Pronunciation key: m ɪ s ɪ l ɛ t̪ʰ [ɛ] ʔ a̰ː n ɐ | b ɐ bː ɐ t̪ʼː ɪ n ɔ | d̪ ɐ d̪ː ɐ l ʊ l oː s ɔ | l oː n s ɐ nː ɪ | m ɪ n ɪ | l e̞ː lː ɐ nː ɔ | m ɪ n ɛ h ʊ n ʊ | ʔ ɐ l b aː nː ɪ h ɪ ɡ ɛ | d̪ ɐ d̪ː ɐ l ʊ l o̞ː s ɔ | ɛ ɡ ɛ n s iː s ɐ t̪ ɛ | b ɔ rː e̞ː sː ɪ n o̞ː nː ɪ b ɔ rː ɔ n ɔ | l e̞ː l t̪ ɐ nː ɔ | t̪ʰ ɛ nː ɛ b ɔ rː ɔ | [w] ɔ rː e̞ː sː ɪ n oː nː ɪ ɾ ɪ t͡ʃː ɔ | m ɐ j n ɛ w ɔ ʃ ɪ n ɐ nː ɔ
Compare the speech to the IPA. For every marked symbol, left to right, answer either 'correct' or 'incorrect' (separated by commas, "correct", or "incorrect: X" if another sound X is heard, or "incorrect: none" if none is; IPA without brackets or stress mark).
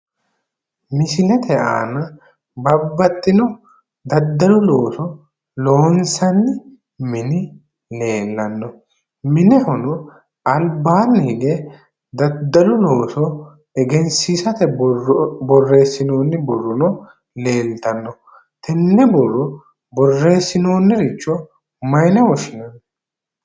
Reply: correct, incorrect: b